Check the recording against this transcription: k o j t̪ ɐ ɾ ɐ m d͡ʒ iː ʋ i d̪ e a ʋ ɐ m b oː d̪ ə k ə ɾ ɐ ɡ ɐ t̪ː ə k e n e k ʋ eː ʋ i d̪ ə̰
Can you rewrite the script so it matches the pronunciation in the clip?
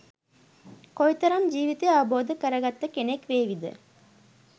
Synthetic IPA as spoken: k o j t̪ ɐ ɾ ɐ m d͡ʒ iː ʋ i t̪ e a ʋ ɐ b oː d̪ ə k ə ɾ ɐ ɡ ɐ t̪ː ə k e n e k ʋ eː ʋ i d̪ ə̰